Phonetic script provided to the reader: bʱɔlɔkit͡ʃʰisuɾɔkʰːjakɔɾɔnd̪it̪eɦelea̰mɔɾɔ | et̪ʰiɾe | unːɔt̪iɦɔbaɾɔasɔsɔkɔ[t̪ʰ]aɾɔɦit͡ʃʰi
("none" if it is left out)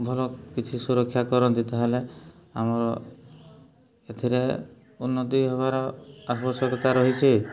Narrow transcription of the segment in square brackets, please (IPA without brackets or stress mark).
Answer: t̪